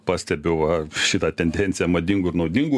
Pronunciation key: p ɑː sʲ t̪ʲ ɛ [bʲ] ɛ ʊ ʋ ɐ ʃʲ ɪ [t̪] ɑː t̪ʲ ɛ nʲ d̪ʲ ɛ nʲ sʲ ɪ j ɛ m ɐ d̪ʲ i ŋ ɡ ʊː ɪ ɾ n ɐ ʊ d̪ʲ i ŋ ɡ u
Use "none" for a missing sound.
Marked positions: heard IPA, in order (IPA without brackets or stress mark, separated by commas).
bʲ, t̪